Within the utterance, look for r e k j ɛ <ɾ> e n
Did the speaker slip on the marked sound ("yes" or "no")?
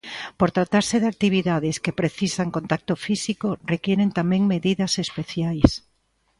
no